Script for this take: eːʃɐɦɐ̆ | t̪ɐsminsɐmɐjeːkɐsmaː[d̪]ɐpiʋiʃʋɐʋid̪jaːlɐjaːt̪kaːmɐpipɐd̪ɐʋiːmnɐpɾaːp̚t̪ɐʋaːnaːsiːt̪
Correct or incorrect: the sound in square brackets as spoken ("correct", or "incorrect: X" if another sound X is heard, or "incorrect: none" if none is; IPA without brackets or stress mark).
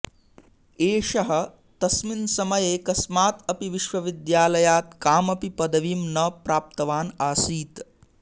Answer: incorrect: t̪